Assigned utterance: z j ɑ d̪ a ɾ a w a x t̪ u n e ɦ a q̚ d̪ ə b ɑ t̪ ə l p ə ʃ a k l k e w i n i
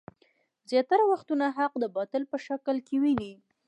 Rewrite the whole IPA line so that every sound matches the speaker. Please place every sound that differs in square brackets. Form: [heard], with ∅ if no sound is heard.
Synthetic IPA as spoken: z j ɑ [t̪] a ɾ a w a x t̪ u n [a] ɦ a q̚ d̪ ə b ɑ t̪ ə l p ə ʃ a k l k e w i n i